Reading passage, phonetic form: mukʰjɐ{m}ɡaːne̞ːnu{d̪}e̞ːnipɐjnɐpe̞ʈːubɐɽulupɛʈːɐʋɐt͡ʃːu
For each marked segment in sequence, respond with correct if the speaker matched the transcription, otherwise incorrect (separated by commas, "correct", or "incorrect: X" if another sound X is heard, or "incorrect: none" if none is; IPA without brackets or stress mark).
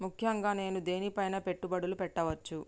incorrect: ŋ, correct